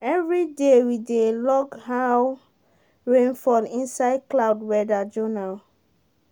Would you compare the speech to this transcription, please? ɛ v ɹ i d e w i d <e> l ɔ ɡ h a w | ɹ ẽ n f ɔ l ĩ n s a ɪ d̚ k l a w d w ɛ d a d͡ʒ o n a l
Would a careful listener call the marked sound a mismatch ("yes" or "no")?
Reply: no